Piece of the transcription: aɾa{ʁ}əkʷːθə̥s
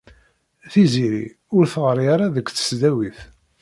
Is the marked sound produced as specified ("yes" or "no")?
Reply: no